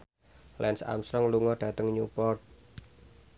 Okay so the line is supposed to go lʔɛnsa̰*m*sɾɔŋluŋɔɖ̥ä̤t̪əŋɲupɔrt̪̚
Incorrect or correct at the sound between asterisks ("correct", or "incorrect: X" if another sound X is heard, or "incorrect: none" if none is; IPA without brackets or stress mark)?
correct